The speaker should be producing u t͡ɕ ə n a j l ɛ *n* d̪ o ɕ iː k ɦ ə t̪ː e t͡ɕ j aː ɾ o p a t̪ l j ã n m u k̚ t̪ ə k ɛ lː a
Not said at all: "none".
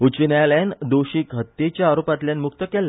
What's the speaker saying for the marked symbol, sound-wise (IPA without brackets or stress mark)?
n